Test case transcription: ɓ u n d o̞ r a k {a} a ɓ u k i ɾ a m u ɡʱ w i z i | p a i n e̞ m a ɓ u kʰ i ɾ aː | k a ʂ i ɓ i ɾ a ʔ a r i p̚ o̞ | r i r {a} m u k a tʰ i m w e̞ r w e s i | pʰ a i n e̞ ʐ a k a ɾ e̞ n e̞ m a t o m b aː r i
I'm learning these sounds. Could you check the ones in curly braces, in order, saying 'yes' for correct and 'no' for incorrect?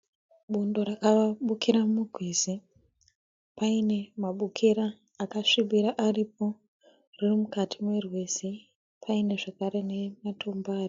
yes, no

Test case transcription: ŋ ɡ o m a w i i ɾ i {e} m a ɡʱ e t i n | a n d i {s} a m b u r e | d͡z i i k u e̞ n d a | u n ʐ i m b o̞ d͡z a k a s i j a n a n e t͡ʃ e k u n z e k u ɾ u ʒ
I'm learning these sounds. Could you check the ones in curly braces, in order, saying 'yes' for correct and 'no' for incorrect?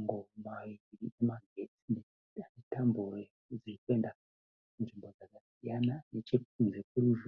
yes, no

